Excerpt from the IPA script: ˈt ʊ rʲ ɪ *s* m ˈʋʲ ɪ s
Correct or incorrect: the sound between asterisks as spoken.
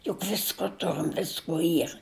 incorrect: none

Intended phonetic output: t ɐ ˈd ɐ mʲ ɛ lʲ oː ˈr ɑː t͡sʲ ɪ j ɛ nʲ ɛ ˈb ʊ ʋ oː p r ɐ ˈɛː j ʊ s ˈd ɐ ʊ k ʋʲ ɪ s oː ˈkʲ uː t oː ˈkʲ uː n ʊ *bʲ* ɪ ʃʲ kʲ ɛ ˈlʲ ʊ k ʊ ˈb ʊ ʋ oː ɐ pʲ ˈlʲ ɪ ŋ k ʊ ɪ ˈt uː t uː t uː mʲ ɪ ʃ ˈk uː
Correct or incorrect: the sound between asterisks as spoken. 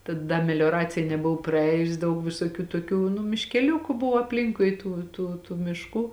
incorrect: mʲ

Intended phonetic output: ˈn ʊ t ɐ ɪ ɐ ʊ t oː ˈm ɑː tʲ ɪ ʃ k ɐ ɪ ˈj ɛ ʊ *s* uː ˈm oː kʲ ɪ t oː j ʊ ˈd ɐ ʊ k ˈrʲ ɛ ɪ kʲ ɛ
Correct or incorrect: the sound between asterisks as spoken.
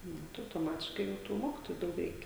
incorrect: t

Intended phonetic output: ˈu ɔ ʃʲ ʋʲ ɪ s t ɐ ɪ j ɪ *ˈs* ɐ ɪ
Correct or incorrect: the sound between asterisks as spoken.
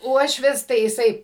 correct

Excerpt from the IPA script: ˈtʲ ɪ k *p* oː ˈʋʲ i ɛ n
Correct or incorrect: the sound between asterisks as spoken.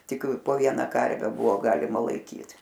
correct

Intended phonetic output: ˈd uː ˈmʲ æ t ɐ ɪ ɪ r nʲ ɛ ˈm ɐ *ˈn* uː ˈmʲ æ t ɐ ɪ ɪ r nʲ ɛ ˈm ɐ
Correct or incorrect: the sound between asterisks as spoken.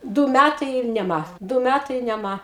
incorrect: d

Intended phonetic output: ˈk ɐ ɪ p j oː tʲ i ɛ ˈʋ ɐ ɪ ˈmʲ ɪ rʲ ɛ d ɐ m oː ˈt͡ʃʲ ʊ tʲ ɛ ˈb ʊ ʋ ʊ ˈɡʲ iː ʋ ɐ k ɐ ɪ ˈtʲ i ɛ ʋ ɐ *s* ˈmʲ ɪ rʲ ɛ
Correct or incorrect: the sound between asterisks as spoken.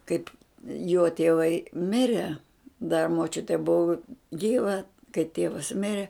correct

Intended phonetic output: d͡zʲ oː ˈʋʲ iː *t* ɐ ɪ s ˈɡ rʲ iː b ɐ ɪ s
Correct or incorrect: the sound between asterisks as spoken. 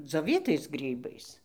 correct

